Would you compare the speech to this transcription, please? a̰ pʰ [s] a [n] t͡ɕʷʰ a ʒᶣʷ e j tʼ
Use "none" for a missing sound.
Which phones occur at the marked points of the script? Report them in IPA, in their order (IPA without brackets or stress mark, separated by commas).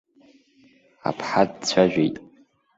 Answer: ħ, d